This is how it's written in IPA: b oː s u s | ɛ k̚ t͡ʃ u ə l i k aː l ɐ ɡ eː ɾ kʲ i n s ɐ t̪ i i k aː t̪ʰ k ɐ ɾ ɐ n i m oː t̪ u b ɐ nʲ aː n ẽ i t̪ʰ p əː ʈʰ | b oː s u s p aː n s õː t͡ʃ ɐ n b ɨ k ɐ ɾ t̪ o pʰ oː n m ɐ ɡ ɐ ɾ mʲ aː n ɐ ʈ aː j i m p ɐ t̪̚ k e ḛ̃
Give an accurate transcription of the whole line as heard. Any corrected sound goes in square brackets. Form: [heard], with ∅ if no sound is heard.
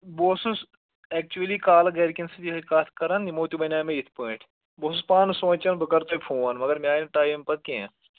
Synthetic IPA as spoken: b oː s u s | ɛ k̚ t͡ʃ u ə l i k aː l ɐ ɡ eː ɾ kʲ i n s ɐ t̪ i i k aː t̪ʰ k ɐ ɾ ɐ n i m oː t̪ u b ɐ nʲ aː [m] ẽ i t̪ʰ p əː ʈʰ | b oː s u s p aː n s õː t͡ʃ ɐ n b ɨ k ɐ ɾ t̪ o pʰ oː n m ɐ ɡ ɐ ɾ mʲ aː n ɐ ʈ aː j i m p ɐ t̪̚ k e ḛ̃